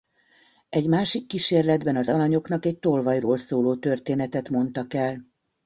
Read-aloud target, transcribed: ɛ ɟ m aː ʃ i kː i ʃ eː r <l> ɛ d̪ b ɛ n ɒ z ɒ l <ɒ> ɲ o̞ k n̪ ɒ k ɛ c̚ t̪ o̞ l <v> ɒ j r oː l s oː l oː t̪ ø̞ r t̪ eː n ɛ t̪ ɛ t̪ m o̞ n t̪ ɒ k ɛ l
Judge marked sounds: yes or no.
yes, yes, yes

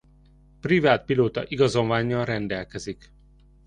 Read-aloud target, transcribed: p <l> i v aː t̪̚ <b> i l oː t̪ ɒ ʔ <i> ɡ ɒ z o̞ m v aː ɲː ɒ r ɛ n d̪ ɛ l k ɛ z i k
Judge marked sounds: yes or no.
no, no, yes

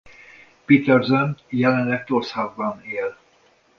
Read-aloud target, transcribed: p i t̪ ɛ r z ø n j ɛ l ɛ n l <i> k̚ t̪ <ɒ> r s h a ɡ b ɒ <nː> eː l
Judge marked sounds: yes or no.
no, no, no

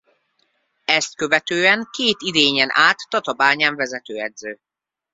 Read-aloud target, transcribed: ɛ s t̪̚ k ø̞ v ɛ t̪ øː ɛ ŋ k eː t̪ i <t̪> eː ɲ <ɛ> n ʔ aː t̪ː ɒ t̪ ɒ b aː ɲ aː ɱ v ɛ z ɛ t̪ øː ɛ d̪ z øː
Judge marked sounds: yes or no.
no, yes

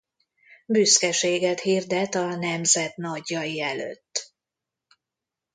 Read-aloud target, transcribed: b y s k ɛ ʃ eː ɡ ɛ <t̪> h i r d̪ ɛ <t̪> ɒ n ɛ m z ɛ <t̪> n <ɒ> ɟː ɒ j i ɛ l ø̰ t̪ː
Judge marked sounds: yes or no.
yes, yes, yes, yes

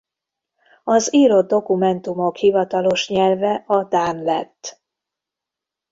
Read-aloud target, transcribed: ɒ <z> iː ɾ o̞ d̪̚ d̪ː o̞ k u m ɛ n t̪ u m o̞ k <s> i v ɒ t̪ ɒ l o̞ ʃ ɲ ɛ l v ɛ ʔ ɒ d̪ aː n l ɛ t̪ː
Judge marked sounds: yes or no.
yes, no

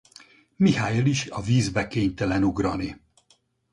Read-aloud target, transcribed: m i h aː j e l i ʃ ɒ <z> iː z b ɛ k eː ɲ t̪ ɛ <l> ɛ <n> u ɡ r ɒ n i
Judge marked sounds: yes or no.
no, yes, yes

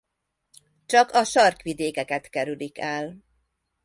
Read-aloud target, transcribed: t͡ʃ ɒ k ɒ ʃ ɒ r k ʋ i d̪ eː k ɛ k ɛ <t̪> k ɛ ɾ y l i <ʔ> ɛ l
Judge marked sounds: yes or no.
yes, no

